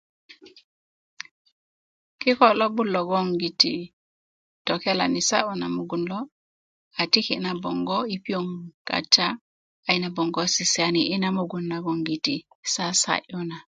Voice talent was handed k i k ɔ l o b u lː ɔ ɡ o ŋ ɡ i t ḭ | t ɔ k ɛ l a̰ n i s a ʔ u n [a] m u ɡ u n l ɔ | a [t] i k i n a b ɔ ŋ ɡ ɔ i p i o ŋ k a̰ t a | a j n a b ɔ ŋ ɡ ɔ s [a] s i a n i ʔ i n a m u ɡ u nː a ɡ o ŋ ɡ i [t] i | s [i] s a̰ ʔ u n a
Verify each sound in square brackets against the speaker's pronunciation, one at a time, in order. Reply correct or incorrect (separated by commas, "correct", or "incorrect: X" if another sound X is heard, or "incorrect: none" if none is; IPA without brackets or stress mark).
correct, correct, incorrect: i, correct, incorrect: a